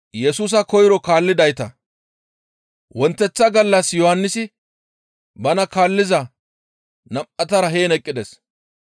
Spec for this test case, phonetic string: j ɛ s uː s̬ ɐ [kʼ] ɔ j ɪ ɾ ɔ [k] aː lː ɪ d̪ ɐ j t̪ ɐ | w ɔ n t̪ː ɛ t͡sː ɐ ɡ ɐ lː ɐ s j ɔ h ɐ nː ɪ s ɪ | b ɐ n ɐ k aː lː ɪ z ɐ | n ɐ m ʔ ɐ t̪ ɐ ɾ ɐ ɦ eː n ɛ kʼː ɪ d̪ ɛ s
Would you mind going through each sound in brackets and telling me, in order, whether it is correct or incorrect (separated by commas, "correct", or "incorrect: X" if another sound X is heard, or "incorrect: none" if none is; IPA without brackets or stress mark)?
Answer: incorrect: k, correct